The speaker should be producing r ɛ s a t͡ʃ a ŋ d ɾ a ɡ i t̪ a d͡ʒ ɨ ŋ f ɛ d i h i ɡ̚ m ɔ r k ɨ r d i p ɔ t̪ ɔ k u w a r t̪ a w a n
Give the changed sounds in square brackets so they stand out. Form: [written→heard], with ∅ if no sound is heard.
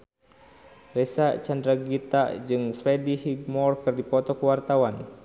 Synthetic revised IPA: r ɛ s a t͡ʃ a [ŋ→n] d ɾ a ɡ i t̪ a d͡ʒ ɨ ŋ f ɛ d i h i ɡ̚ m ɔ r k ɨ r d i p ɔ t̪ ɔ k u w a r t̪ a w a n